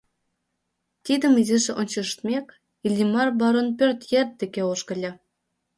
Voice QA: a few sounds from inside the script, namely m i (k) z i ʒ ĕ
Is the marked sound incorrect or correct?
incorrect